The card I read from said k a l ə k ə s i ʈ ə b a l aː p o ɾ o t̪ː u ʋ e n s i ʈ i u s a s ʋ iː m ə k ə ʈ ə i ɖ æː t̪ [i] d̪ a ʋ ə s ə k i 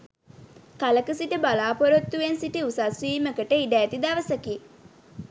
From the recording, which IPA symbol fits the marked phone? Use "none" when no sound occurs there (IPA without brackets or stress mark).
i